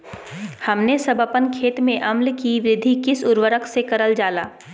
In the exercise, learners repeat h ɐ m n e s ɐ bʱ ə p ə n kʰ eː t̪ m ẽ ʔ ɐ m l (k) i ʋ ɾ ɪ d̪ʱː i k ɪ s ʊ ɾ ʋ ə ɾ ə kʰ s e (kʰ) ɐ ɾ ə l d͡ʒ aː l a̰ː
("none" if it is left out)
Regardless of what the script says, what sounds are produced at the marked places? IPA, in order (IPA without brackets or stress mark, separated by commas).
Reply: k, k